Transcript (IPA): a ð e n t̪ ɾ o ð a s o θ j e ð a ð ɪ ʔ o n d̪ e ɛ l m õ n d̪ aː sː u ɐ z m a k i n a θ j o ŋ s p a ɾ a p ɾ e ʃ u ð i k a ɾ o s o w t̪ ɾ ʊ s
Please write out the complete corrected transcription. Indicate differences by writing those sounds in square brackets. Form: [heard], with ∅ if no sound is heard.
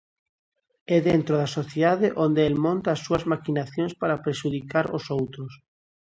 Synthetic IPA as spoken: [ɛ] ð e n t̪ ɾ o ð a s o θ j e ð a ð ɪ ʔ o n d̪ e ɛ l m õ n [t̪] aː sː u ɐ z m a k i n a θ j o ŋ s p a ɾ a p ɾ e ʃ u ð i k a ɾ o s o w t̪ ɾ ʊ s